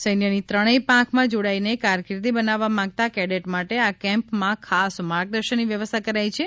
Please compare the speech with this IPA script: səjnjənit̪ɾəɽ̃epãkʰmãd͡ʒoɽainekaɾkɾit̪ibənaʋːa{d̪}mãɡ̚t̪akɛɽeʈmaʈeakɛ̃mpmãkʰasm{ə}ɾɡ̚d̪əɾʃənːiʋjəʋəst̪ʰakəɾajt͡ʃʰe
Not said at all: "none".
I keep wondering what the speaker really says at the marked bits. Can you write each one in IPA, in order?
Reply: none, a

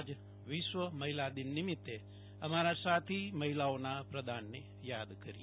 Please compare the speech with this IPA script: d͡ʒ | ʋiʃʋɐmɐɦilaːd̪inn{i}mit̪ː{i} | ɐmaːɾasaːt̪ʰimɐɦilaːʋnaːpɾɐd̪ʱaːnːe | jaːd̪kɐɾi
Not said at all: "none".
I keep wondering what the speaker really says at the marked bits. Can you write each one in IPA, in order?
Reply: i, e

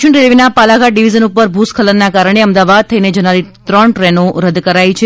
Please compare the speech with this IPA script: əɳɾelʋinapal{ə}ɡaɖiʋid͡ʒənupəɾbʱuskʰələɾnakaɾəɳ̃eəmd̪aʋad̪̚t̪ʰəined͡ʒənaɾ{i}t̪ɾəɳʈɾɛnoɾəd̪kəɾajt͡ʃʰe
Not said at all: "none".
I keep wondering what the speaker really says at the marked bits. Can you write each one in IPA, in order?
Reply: a, i

